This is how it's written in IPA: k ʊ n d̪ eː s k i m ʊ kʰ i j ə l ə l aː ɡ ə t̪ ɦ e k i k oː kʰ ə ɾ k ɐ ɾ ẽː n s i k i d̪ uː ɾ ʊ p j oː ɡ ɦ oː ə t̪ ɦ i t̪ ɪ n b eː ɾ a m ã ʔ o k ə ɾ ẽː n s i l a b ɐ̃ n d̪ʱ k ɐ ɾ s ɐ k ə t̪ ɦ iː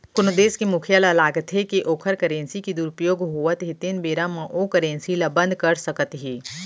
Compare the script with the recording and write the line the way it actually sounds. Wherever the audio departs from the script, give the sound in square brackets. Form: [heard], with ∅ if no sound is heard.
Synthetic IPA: k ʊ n d̪ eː s k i m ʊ kʰ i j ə l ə l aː ɡ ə t̪ ɦ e k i [ʔ] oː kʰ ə ɾ k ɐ ɾ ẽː n s i k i d̪ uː ɾ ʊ p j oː ɡ ɦ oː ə t̪ ɦ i t̪ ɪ n b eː ɾ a m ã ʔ o k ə ɾ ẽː n s i l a b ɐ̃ n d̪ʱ k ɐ ɾ s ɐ k ə t̪ ɦ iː